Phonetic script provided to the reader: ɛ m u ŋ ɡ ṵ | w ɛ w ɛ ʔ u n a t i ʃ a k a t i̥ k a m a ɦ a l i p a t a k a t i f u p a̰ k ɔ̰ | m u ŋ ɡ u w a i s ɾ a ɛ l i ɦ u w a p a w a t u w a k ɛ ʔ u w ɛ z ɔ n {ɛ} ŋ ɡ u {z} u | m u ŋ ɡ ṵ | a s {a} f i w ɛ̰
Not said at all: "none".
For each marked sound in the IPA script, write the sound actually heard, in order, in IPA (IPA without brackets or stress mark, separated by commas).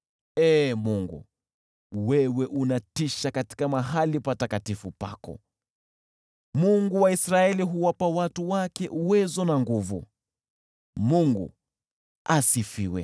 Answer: a, v, i